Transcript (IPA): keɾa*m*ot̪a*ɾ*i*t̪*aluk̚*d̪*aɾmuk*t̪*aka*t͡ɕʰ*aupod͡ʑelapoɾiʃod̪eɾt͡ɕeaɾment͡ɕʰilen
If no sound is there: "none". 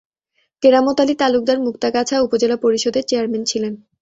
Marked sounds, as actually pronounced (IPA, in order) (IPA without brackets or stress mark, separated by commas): m, l, t̪, d̪, t̪, t͡ɕʰ